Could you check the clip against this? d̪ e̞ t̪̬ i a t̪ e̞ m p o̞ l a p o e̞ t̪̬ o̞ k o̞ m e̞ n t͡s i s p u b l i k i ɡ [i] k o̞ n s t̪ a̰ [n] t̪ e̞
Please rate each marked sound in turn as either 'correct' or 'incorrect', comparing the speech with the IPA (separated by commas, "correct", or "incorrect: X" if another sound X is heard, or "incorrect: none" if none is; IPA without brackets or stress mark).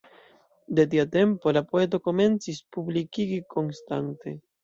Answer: correct, correct